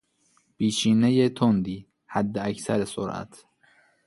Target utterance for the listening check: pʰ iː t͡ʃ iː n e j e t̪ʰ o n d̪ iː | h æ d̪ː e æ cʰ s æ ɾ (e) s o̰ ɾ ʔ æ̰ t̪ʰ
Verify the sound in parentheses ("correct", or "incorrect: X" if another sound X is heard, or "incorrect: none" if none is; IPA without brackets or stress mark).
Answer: correct